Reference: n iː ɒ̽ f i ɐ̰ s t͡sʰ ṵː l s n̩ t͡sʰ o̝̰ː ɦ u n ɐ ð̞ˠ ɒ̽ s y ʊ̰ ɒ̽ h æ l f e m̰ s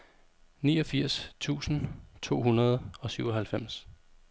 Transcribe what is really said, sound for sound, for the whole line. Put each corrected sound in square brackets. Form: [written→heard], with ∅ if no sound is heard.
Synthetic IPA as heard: n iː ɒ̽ f i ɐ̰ s t͡sʰ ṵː [l→∅] s n̩ t͡sʰ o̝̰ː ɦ u n ɐ ð̞ˠ ɒ̽ s y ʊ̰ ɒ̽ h æ l f e m̰ s